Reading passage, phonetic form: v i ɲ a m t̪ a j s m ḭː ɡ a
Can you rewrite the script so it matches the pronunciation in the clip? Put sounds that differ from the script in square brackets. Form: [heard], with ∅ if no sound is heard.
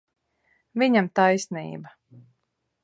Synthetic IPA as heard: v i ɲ a m t̪ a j s [n] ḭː [b] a